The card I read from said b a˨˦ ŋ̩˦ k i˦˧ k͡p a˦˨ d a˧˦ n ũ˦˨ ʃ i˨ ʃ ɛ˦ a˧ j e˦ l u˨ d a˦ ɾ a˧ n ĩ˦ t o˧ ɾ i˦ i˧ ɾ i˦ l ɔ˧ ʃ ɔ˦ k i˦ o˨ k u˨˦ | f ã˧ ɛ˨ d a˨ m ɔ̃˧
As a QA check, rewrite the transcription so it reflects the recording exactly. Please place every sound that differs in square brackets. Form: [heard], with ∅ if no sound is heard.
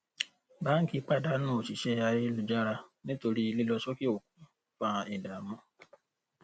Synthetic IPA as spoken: b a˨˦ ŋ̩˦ k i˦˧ k͡p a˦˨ d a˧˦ n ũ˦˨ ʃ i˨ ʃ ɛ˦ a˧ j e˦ l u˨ [d͡ʒ] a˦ ɾ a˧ n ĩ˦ t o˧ ɾ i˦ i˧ [l] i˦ l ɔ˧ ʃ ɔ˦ k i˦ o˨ k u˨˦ | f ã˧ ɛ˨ d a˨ m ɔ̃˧

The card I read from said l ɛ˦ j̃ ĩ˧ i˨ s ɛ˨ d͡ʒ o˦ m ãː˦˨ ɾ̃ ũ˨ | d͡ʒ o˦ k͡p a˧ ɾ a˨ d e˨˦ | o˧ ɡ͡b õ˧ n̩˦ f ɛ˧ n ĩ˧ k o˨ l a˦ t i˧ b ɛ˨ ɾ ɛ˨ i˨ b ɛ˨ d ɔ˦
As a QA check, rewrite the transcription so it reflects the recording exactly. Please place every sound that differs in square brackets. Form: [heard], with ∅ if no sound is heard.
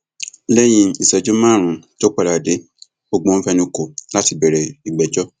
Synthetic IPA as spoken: l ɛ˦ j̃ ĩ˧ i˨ s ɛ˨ d͡ʒ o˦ m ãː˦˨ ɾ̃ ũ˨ | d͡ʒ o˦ k͡p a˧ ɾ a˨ d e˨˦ | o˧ ɡ͡b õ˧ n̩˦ f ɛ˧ n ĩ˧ k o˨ l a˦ t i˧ b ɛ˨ ɾ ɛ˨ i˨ [ɡ͡b] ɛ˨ [d͡ʒ] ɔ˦

